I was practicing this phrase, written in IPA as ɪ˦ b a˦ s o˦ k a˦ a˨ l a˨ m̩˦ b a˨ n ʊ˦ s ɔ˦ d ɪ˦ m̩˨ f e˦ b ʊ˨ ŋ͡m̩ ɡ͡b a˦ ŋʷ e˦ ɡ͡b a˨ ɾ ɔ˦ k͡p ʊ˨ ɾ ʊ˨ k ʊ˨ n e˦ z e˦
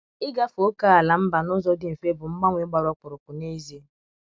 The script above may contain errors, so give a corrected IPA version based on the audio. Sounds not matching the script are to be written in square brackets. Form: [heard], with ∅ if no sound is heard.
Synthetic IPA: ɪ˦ [ɡ] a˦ [f] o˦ k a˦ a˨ l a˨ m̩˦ b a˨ n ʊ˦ [z] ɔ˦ d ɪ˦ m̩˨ f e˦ b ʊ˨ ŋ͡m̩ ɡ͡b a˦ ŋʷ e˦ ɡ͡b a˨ ɾ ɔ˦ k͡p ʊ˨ ɾ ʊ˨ k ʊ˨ n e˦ z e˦